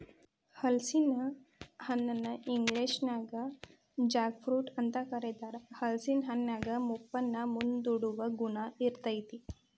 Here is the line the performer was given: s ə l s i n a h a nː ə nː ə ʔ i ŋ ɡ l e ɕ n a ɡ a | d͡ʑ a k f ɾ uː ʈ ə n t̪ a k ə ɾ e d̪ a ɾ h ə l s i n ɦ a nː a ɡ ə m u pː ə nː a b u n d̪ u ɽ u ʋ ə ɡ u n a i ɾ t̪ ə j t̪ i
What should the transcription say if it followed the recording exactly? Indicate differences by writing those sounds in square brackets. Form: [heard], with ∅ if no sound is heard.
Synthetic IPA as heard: [h] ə l s i n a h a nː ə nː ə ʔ i ŋ ɡ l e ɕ n a ɡ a | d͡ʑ a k f ɾ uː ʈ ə n t̪ a k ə ɾ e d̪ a ɾ h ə l s i n ɦ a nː a ɡ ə m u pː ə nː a [m] u n d̪ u ɽ u ʋ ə ɡ u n a i ɾ t̪ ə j t̪ i